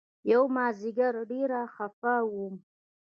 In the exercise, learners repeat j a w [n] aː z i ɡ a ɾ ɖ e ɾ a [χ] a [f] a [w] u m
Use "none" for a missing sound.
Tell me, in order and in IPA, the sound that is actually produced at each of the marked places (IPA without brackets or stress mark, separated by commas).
m, χ, f, w